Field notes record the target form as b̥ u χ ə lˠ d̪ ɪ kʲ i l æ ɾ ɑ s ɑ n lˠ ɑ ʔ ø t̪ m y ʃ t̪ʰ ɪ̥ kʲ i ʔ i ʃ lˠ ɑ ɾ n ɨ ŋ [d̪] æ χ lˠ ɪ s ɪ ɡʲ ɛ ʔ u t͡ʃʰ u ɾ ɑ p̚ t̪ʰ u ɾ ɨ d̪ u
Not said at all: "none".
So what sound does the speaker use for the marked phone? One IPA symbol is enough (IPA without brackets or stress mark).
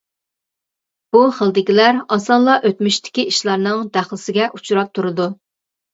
d̪